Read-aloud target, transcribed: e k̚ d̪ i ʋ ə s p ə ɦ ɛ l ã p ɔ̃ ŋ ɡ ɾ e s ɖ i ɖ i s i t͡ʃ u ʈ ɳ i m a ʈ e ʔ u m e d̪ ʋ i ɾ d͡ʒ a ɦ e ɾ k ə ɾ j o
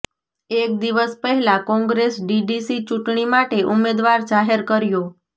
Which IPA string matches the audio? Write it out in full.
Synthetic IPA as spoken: e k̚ d̪ i ʋ ə s p ə ɦ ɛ l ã k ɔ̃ ŋ ɡ ɾ e s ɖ i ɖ i s i t͡ʃ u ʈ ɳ i m a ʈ e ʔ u m e d̪ ʋ a ɾ d͡ʒ a ɦ e ɾ k ə ɾ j o